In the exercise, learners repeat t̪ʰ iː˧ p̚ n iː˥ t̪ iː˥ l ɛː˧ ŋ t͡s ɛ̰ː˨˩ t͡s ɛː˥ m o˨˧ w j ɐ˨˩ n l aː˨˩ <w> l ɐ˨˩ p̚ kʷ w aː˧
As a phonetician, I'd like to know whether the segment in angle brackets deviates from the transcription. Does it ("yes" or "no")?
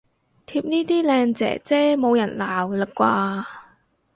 no